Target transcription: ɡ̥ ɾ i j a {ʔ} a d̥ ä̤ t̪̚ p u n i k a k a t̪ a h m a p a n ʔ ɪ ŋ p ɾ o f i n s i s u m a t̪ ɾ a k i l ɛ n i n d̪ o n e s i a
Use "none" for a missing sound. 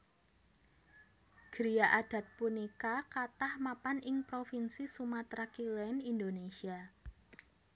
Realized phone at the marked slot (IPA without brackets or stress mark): ʔ